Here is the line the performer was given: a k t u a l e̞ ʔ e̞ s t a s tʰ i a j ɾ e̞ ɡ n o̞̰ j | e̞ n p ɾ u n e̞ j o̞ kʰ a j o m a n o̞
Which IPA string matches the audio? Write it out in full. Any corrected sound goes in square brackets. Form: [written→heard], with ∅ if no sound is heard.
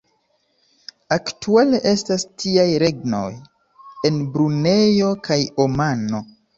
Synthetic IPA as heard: a k t u a l e̞ ʔ e̞ s t a s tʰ i a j ɾ e̞ ɡ n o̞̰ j | e̞ n [p→b] ɾ u n e̞ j o̞ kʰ a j o m a n o̞